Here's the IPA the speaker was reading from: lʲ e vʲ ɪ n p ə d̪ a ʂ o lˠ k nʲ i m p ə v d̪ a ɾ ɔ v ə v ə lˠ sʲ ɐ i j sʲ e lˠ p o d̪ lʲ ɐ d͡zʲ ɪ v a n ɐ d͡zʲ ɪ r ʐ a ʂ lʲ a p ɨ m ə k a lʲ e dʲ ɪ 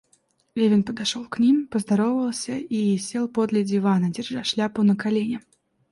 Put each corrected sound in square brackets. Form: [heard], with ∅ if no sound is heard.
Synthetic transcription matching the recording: lʲ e vʲ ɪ n p ə d̪ a ʂ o lˠ k nʲ i m p ə [z] d̪ a ɾ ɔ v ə v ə lˠ sʲ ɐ i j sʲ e lˠ p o d̪ lʲ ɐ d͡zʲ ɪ v a n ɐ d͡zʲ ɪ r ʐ a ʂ lʲ a p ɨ [n] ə k a lʲ e [nʲ] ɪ